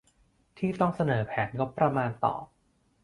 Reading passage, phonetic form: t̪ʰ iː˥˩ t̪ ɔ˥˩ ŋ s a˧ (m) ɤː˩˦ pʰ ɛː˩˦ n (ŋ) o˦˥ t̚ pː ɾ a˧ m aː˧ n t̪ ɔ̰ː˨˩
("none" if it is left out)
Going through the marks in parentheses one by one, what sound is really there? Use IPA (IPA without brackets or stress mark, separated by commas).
n, ŋ